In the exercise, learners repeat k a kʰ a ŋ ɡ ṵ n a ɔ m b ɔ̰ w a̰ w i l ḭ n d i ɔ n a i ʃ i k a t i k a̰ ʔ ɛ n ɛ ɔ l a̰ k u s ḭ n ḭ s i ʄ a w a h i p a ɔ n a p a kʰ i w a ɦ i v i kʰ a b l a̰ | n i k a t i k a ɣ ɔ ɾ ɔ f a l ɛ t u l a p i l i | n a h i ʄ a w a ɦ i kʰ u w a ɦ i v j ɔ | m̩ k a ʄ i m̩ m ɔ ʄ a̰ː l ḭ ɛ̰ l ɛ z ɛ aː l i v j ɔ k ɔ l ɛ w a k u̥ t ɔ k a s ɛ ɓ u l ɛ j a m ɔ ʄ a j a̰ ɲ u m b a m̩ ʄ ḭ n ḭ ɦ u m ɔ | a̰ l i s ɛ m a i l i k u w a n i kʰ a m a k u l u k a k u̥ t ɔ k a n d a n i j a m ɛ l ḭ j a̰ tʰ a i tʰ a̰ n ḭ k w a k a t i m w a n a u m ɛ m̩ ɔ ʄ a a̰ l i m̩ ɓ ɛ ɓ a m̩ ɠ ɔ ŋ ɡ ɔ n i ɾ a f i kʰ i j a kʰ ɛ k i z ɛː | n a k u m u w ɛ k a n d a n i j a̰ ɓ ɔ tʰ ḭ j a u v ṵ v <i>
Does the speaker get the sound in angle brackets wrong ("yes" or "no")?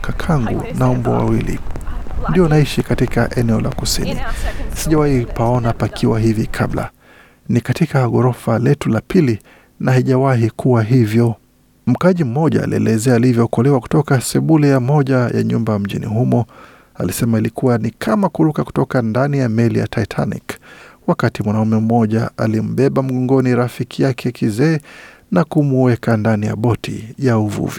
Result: no